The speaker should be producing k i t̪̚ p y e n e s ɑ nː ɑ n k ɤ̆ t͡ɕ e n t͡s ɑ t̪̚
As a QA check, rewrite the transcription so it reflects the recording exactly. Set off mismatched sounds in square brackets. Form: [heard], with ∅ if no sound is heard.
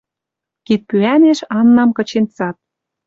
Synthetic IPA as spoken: k i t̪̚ p y [æ] n e [ʃ] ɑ nː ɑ [m] k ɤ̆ t͡ɕ e n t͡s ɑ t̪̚